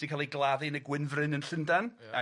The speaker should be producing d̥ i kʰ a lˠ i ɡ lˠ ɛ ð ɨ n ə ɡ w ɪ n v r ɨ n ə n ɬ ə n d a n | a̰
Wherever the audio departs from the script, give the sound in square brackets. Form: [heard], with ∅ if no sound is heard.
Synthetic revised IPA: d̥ i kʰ a lˠ i ɡ lˠ [a] ð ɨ n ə ɡ w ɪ n v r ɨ n ə n ɬ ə n d a n | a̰